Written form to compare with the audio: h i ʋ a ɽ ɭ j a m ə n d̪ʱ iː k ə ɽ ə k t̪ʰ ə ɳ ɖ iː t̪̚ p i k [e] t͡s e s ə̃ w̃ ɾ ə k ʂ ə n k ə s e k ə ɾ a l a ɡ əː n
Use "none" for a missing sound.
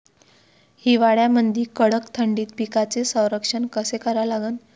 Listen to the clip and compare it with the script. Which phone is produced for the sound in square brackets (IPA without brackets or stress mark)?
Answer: a